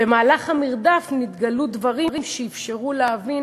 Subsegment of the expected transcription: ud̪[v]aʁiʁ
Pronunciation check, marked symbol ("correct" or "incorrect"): correct